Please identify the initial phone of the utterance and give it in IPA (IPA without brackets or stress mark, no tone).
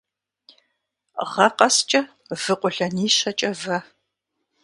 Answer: ʁ